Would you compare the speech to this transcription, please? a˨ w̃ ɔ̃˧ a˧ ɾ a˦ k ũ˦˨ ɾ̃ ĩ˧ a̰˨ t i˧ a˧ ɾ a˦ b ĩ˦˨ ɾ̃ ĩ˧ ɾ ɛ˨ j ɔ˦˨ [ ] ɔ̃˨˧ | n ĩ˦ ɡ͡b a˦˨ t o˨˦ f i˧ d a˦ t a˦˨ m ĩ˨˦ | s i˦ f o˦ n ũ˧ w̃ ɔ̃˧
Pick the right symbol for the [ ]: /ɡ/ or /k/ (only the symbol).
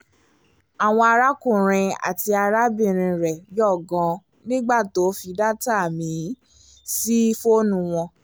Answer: ɡ